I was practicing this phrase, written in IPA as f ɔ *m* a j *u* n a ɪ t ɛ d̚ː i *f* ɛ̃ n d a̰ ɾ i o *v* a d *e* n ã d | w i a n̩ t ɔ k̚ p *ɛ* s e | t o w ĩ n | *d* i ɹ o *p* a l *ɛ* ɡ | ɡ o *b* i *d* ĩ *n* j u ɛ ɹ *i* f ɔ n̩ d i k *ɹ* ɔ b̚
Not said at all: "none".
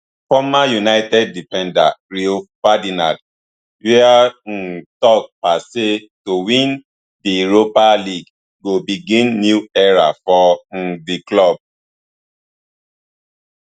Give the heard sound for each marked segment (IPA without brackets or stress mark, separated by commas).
m, u, f, f, i, a, d, p, i, b, ɡ, nː, a, l